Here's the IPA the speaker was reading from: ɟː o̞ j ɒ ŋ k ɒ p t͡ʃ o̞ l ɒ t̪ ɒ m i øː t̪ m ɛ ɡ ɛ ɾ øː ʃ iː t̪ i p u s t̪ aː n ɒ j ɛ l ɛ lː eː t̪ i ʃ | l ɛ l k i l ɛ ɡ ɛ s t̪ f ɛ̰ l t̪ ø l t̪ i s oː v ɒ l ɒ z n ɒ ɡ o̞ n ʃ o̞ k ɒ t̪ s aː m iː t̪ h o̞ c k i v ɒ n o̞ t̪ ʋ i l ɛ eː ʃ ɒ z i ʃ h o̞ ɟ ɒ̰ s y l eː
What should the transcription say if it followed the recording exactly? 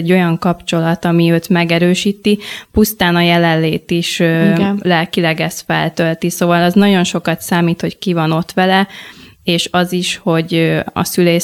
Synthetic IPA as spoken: ɟː o̞ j ɒ ŋ k ɒ p t͡ʃ o̞ l ɒ t̪ ɒ m i øː t̪ m ɛ ɡ ɛ ɾ øː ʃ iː t̪ i p u s t̪ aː n ɒ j ɛ l ɛ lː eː t̪ i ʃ | l ɛ l k i l ɛ ɡ ɛ s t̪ f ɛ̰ l t̪ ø l t̪ i s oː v ɒ l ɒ z n ɒ ɟ o̞ n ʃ o̞ k ɒ t̪ s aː m iː t̪ h o̞ c k i v ɒ n o̞ t̪ ʋ ɛ l ɛ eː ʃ ɒ z i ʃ h o̞ ɟ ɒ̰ s y l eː